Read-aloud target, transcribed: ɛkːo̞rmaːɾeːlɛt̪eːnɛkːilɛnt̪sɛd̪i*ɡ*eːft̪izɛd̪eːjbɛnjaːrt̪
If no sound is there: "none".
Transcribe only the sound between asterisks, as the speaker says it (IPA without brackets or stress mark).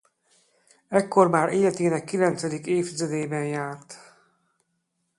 k